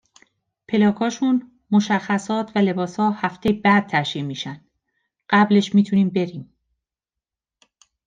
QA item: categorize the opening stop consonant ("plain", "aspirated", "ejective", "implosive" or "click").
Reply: aspirated